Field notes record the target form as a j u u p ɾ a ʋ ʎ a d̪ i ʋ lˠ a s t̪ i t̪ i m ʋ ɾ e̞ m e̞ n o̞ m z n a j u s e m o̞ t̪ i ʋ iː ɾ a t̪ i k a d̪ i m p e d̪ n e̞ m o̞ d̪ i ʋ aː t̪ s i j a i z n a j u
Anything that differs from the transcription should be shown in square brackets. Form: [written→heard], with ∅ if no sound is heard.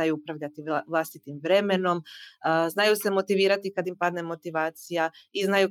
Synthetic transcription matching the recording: a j u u p ɾ a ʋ ʎ a [d̪→t̪] i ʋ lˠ a s t̪ i t̪ i m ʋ ɾ e̞ m e̞ n o̞ m z n a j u s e m o̞ t̪ i ʋ iː ɾ a t̪ i k a d̪ i m p [e→a] d̪ n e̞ m o̞ [d̪→t̪] i ʋ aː t̪ s i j a i z n a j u